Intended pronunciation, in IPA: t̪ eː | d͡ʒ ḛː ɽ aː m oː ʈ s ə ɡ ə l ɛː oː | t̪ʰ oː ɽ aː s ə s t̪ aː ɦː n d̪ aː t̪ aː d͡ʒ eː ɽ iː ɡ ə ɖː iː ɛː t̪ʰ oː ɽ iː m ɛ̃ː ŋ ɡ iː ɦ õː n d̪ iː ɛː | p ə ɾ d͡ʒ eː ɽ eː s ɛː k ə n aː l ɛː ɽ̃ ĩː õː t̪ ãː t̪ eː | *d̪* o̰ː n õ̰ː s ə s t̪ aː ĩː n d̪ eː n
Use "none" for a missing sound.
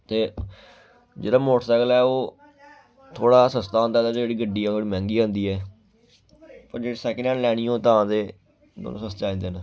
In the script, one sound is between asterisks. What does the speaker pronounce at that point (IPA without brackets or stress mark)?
d̪